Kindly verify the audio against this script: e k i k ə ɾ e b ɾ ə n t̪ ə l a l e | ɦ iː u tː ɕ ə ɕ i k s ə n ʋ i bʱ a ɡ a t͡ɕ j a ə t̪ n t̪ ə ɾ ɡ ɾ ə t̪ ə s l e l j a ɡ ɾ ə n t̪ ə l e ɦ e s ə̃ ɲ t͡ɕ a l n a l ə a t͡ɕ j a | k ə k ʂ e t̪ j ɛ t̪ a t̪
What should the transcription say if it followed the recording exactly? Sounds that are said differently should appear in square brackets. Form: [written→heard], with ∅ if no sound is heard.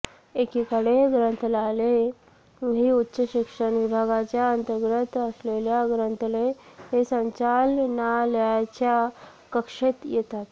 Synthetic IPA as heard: e k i k ə [ɾ→ɽ] e [b→ɡ] ɾ ə n t̪ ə l a l e | ɦ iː u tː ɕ ə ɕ i k [s→ʂ] ə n ʋ i bʱ a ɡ a t͡ɕ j a ə [t̪→∅] n t̪ ə ɾ ɡ ɾ ə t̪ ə s l e l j a ɡ ɾ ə n t̪ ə l e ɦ e s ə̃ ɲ t͡ɕ a l n a l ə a t͡ɕ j a | k ə k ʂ e t̪ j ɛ t̪ a t̪

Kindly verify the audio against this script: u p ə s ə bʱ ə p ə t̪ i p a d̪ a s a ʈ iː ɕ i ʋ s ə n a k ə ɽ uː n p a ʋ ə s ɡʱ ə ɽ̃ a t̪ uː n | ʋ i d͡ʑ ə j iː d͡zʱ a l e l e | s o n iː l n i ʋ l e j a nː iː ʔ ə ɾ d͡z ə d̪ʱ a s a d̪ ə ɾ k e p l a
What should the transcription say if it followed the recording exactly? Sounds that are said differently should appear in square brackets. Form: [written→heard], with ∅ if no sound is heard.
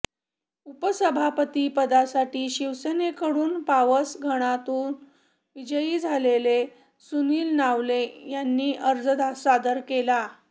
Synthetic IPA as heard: u p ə s ə bʱ [ə→a] p ə t̪ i p [a→ə] d̪ a s a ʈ iː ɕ i ʋ s ə n [a→e] k ə ɽ uː n p a ʋ ə s ɡʱ ə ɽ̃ a t̪ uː n | ʋ i d͡ʑ ə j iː d͡zʱ a l e l e | s [o→u] n iː l n [i→a] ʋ l e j a nː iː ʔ ə ɾ d͡z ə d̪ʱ a s a d̪ ə ɾ k e [p→∅] l a

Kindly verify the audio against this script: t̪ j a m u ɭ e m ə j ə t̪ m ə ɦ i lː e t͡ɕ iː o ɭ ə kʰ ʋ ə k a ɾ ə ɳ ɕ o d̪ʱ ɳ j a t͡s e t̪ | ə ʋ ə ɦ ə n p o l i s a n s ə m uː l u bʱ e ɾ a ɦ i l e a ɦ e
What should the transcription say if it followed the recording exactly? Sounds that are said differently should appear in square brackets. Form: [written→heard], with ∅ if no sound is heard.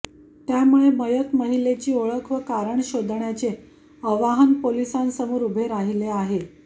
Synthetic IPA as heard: t̪ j a m u ɭ e m ə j ə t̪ m ə ɦ i [lː→l] e t͡ɕ iː o ɭ ə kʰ ʋ ə k a ɾ ə ɳ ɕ o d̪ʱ ɳ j a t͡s e [t̪→∅] | ə ʋ [ə→a] ɦ ə n p o l i s a n s ə m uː [l→ɾ] u bʱ e ɾ a ɦ i l e a ɦ e

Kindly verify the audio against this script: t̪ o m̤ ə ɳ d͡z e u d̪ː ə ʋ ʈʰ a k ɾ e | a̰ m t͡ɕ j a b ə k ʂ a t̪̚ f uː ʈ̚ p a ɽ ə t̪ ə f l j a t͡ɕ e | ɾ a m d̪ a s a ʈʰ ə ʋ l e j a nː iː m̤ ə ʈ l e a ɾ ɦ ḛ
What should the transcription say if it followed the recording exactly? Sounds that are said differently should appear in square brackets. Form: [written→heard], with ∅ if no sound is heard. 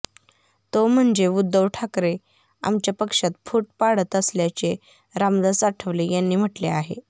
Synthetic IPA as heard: t̪ o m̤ ə ɳ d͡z e u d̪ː ə ʋ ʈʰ a k ɾ e | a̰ m t͡ɕ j a [b→p] ə k ʂ a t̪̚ f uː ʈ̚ p a ɽ ə t̪ ə [f→s] l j a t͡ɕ e | ɾ a m d̪ a s a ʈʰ ə ʋ l e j a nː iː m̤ ə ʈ l e a [ɾ→∅] ɦ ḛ

